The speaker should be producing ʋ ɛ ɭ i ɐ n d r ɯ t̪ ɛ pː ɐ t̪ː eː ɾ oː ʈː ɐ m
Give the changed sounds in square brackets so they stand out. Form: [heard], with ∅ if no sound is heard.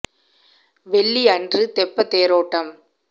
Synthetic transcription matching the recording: ʋ ɛ [ɭː] i ɐ n d r ɯ t̪ ɛ pː ɐ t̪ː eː ɾ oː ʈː ɐ m